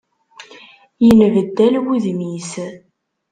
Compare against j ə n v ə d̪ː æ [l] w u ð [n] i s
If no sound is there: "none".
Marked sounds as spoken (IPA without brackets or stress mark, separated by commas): l, m